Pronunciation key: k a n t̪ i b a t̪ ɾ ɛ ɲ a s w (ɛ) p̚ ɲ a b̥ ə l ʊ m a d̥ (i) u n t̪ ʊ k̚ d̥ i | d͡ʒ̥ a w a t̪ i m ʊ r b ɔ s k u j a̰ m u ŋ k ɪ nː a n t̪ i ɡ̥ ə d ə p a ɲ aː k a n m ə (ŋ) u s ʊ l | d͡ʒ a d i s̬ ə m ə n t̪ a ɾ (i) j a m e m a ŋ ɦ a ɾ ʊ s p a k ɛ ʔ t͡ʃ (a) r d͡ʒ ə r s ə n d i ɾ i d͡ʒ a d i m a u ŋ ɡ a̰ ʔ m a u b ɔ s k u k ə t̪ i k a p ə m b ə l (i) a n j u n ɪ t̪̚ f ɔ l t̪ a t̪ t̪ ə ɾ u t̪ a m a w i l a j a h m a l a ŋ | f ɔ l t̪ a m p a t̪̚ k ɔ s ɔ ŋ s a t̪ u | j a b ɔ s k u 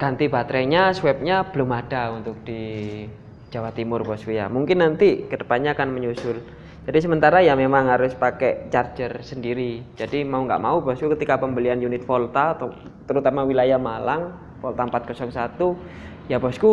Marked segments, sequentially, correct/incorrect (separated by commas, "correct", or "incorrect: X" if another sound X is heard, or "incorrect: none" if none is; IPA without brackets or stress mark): correct, incorrect: a, incorrect: ɲ, incorrect: a, correct, correct